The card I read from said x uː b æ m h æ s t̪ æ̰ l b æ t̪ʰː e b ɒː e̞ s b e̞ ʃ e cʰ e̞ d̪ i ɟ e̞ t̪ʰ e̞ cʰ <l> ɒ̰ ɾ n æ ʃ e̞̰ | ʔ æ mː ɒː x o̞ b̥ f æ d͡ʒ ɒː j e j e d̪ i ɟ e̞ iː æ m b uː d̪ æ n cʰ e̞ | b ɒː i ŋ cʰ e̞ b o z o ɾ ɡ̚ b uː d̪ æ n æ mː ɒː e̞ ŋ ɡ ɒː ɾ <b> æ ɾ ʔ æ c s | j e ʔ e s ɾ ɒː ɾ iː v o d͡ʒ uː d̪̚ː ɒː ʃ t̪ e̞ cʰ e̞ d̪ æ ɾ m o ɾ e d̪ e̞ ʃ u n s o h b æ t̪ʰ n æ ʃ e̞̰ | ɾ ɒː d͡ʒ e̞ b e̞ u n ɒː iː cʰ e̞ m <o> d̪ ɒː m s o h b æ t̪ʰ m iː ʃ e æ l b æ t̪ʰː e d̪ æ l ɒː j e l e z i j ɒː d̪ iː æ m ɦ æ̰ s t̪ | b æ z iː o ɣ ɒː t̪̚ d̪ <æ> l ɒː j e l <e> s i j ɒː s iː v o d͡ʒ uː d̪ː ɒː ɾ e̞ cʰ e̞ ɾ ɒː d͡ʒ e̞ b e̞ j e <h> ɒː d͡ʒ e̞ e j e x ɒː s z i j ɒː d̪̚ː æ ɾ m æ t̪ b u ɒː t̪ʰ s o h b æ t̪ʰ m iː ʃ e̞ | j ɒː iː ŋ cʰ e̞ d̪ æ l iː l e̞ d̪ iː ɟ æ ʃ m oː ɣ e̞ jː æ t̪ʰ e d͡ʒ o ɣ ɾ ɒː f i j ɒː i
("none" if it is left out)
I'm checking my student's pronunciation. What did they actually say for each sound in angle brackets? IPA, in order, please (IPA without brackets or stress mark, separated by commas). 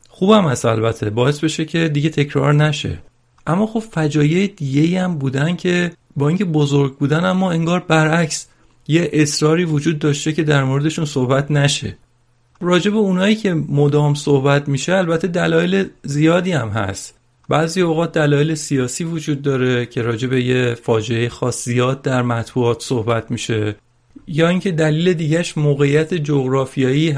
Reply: ɾ, b, o, æ, e, f